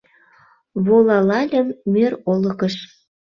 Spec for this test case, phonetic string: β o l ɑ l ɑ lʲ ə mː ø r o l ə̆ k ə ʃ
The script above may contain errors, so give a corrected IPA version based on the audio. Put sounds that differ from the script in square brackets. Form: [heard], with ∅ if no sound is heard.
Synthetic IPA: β o l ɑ l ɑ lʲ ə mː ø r o l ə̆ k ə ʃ